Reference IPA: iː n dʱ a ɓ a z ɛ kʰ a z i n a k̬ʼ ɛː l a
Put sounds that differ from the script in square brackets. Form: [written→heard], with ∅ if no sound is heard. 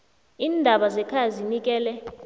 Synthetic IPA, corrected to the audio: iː n dʱ a ɓ a z ɛ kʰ a z i n [a→i] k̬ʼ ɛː l [a→ɛ]